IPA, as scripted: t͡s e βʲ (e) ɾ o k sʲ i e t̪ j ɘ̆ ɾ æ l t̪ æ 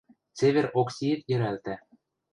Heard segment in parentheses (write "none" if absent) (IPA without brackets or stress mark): e